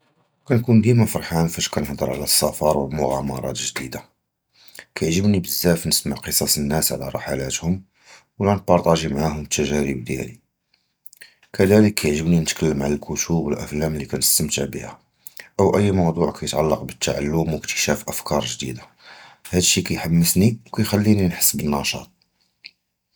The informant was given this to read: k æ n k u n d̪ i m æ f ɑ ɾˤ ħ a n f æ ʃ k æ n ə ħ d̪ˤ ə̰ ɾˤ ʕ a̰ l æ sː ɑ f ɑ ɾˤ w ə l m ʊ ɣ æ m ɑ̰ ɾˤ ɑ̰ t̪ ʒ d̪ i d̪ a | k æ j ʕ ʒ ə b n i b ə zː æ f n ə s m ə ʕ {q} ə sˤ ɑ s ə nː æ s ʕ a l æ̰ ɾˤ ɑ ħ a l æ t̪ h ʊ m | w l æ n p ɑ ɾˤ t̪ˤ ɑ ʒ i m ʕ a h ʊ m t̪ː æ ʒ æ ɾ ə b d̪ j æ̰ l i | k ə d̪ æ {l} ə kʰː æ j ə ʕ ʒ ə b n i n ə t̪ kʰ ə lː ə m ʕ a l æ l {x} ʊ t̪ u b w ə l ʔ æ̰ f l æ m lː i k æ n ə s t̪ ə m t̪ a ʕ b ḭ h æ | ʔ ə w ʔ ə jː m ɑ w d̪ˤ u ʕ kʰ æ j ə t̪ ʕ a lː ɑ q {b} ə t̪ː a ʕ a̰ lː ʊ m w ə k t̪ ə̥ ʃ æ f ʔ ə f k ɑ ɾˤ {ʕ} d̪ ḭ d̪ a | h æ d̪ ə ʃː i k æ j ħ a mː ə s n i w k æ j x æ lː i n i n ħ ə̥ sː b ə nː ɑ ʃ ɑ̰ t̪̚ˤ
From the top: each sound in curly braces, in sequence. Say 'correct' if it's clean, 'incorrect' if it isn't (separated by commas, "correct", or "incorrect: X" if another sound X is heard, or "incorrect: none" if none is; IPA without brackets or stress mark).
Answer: correct, correct, incorrect: k, correct, incorrect: ʒ